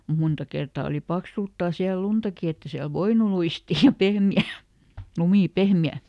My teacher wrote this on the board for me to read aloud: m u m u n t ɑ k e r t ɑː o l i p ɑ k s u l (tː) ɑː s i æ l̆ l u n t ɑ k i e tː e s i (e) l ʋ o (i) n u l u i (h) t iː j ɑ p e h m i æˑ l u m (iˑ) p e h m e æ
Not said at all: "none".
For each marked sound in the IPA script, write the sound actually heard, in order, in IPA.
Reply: tː, æ, i, s, iˑ

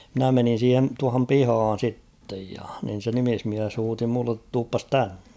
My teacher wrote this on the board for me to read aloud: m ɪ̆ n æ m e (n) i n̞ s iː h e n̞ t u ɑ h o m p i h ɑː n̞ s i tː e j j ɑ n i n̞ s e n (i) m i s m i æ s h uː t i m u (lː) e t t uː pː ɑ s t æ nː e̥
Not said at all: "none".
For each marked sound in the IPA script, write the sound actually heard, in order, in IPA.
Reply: n, i, lː

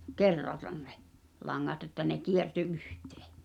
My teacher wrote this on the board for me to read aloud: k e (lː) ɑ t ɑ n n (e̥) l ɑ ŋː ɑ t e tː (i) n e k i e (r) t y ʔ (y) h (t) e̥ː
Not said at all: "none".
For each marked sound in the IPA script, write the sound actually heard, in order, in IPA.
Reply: rː, e̥, æ, r, y, t

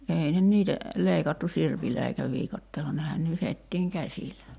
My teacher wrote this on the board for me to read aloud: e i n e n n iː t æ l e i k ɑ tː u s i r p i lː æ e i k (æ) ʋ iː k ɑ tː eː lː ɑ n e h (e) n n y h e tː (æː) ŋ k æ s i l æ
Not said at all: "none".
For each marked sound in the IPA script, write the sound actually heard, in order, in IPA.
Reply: æ, æ, iː

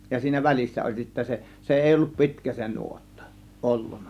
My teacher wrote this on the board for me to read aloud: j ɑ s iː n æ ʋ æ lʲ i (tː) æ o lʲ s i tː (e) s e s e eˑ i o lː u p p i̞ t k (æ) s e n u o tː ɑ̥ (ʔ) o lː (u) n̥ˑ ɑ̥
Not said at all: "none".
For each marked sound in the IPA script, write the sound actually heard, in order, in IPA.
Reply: sː, æ, æ, ʔ, u

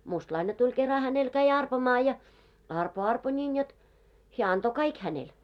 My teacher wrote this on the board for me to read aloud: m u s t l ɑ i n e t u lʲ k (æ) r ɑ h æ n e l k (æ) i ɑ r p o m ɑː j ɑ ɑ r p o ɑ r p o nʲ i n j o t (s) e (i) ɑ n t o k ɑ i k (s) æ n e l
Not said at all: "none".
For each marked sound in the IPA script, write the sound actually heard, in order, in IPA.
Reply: e, æ, h, æ, h

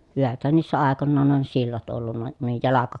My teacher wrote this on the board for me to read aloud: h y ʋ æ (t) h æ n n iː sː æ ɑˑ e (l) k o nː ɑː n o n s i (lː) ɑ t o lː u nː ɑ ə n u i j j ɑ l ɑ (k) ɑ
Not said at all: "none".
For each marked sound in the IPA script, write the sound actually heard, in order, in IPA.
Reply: t, none, lː, k

